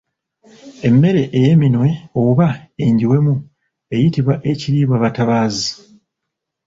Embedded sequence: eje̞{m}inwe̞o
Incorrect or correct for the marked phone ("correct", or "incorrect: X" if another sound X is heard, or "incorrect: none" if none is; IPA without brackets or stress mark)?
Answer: correct